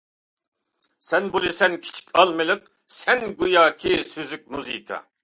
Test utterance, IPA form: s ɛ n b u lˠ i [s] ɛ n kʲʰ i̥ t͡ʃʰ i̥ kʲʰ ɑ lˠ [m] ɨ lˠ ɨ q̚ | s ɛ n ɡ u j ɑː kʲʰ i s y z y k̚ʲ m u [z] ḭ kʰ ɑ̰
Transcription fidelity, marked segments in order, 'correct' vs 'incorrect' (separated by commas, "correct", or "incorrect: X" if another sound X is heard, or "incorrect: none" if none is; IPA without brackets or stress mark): correct, correct, correct